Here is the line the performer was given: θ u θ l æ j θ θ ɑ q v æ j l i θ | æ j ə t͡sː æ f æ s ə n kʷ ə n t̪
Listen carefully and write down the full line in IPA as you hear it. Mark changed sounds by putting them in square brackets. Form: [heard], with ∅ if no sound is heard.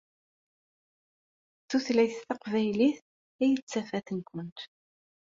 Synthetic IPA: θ u θ l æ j θ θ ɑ q v æ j l i θ | æ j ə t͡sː æ f æ [θ] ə n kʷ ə n t̪